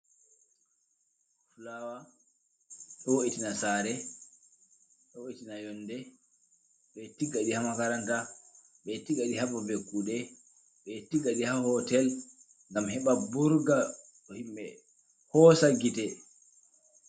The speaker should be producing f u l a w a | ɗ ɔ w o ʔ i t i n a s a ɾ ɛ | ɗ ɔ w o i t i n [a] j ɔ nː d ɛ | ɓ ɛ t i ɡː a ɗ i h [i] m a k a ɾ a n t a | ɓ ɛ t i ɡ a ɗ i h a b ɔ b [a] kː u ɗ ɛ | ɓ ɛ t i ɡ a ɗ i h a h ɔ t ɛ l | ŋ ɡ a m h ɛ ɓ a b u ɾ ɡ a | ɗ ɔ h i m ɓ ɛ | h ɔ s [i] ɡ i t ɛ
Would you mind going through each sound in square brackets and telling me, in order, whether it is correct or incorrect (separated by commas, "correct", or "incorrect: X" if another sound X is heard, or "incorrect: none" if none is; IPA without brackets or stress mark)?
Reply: correct, incorrect: a, incorrect: e, incorrect: a